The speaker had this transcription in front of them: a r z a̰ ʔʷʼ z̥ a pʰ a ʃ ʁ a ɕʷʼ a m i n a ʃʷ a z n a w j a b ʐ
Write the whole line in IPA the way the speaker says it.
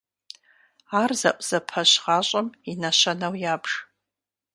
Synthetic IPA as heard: a r z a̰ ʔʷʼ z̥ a pʰ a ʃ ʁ a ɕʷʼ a m i n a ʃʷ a n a w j a b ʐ